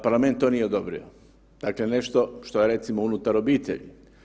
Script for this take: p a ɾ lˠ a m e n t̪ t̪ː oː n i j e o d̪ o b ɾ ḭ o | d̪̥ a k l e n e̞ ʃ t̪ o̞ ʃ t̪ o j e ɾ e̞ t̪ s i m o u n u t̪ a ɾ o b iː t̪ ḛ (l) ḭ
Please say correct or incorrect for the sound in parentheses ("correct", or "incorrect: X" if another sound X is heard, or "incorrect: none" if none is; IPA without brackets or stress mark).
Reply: incorrect: ʎ